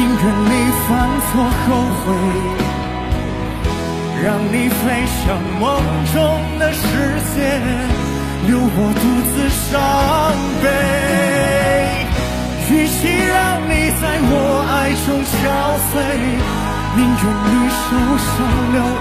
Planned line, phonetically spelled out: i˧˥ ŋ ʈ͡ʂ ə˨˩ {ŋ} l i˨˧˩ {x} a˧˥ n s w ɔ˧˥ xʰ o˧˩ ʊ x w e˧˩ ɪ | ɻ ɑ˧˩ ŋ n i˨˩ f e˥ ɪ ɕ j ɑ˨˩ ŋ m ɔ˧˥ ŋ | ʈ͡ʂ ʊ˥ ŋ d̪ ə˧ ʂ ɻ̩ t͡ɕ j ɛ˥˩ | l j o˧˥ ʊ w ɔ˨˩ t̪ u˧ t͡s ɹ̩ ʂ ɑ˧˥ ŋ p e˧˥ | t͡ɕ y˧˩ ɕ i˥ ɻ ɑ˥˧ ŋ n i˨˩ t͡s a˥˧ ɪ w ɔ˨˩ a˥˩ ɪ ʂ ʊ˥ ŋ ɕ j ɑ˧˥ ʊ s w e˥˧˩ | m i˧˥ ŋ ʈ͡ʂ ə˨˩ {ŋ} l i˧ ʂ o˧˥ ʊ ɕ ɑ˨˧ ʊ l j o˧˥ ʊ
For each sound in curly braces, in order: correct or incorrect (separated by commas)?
incorrect, incorrect, incorrect